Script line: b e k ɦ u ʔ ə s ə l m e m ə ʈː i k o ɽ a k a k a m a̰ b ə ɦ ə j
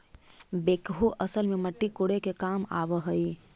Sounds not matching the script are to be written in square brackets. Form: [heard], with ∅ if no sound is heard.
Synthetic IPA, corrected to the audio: b e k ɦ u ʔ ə s ə l m e m ə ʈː i k o ɽ [e] k [e] k a m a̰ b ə ɦ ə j